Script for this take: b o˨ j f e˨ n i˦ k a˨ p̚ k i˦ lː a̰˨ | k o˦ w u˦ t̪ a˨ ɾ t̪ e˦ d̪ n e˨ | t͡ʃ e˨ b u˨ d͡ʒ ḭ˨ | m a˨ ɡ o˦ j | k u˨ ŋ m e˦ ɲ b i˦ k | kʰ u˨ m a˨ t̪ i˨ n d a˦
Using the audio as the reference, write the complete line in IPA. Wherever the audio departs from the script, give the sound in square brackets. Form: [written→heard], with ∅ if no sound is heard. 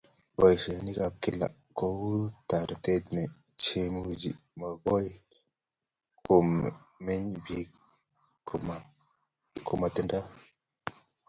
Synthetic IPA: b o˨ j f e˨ n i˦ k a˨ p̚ k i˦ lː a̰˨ | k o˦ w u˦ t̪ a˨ ɾ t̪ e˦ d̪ n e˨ | t͡ʃ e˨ [b→m] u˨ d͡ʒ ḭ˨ | m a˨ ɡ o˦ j | k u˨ [ŋ→m] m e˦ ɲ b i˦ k | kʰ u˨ m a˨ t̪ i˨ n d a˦